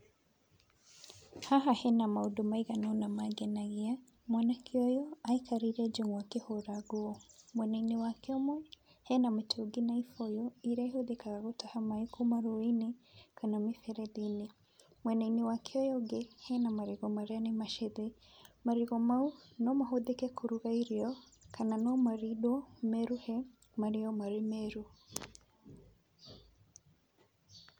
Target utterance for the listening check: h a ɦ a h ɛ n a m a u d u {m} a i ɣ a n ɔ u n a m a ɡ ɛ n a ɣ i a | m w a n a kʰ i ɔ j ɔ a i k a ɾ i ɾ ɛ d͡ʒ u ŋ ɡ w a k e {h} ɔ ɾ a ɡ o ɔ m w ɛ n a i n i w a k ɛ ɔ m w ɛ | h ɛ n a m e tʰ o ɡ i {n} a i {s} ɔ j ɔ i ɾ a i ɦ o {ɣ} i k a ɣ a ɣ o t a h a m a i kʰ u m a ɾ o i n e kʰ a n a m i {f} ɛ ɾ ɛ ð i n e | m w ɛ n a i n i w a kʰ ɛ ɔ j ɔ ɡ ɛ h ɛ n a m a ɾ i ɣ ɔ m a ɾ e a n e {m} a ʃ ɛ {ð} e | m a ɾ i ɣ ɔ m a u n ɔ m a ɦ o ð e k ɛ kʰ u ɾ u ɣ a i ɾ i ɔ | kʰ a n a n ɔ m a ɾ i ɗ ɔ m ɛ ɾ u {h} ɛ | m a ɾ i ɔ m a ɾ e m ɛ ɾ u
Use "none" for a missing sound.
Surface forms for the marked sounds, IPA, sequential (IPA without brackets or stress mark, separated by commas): m, h, n, f, ð, f, m, ð, h